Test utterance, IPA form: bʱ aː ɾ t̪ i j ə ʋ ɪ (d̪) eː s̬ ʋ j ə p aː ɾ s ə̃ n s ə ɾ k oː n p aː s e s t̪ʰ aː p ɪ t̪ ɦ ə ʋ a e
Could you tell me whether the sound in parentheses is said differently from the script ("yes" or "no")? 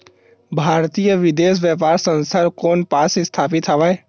no